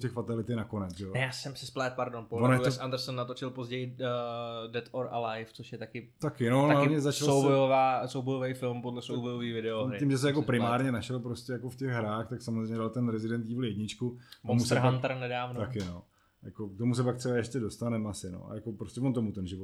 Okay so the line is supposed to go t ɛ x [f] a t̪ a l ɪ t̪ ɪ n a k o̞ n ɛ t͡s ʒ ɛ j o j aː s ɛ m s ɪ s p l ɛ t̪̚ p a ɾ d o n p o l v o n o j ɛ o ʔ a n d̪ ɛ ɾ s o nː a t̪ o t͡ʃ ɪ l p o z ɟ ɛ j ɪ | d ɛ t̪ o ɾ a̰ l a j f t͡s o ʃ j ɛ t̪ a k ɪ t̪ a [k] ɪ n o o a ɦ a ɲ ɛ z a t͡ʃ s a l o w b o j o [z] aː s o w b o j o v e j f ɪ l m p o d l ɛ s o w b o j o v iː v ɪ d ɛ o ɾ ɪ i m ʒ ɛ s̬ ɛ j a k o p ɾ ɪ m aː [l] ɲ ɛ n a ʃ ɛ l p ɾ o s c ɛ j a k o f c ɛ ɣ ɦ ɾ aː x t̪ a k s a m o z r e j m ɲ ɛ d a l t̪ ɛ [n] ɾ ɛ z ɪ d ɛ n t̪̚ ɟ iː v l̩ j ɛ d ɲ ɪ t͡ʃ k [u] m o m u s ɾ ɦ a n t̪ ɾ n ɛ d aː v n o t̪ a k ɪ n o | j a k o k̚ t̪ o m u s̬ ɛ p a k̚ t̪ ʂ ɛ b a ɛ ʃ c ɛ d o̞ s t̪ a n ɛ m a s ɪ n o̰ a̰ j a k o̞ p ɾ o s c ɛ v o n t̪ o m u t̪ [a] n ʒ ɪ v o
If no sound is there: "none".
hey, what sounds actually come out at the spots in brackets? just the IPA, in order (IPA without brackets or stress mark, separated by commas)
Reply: f, k, v, ɾ, n, u, ɛ